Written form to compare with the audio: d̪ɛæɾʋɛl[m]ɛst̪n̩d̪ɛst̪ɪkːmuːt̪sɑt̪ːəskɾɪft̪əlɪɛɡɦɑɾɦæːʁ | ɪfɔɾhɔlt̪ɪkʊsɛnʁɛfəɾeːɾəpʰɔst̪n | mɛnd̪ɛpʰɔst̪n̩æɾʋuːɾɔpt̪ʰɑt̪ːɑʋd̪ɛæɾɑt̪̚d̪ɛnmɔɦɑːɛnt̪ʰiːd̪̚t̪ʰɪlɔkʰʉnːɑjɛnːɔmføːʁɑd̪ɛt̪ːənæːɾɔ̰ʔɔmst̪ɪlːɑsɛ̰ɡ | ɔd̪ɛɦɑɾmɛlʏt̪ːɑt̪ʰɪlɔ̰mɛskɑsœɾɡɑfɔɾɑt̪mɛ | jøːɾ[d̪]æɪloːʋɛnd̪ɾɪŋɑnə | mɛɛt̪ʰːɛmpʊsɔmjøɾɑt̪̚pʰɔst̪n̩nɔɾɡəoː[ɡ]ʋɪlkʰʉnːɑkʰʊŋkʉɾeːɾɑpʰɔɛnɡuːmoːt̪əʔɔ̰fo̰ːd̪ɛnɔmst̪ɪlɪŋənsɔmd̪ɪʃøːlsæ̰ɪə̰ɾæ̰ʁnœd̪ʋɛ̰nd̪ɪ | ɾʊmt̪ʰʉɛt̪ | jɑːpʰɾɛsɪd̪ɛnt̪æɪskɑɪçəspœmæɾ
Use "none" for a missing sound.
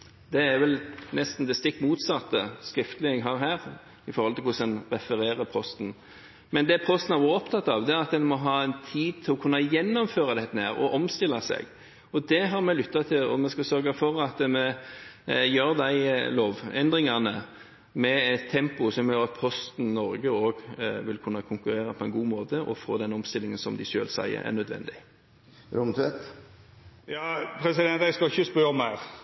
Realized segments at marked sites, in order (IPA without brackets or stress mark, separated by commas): n, d̪, ɡ